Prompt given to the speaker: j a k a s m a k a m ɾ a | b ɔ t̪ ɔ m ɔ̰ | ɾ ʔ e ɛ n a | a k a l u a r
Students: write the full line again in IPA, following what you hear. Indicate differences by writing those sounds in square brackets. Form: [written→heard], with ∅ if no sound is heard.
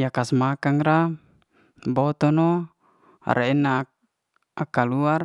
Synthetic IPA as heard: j a k a s m a k a [m→ŋ] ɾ a | b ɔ t̪ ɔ [m→n] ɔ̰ | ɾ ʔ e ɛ n a | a k a l u a r